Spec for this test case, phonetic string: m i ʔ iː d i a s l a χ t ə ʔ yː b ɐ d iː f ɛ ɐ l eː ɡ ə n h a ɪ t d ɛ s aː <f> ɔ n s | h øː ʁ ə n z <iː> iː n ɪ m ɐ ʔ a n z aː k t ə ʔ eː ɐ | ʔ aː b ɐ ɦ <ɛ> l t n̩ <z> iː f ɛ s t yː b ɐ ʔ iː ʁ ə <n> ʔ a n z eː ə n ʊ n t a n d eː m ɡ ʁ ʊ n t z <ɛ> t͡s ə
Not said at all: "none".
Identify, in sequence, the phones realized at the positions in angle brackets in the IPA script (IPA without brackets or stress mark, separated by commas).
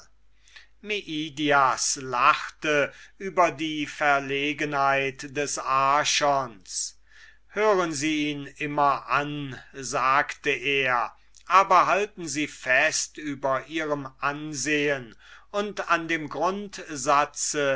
ʃ, iː, a, z, m, a